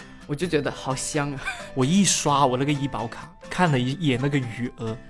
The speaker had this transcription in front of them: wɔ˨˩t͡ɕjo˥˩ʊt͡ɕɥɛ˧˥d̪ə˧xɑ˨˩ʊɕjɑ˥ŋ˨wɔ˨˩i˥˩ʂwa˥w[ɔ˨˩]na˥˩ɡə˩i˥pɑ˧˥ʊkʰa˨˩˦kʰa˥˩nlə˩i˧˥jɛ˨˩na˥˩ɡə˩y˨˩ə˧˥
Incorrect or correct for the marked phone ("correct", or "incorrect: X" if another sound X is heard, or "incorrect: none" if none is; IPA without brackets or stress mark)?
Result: correct